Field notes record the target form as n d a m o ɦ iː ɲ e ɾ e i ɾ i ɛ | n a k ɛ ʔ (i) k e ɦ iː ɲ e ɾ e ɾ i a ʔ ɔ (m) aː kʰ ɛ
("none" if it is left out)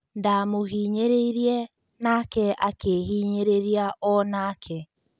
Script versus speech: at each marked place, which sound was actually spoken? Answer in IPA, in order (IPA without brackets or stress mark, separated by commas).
a, n